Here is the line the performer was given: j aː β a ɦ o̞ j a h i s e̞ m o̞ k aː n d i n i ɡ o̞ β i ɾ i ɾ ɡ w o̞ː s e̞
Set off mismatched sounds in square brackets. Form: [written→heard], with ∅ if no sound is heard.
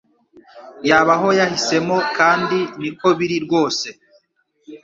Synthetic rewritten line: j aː β a ɦ o̞ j a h i s e̞ m o̞ k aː n d i n i [ɡ→k] o̞ β i ɾ i ɾ ɡ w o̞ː s e̞